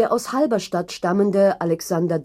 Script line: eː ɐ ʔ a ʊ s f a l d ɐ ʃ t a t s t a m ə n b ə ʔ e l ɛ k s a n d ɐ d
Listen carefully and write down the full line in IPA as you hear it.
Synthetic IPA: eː ɐ ʔ a ʊ s h a l b ɐ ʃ t a t ʃ t a m ə n d ə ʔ a l ɛ k s a n d ɐ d